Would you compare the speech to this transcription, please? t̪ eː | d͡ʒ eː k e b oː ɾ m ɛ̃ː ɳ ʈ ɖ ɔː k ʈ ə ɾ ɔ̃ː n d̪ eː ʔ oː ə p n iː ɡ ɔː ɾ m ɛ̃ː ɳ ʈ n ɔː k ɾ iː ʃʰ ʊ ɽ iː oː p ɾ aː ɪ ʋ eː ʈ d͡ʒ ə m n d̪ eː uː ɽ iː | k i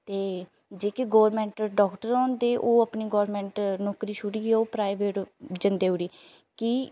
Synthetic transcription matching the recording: t̪ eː | d͡ʒ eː k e ɡ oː ɾ m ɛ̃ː ɳ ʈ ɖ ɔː k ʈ ə ɾ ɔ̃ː n d̪ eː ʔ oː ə p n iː ɡ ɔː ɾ m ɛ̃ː ɳ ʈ n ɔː k ɾ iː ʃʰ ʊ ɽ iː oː p ɾ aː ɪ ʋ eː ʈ d͡ʒ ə n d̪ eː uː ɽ iː | k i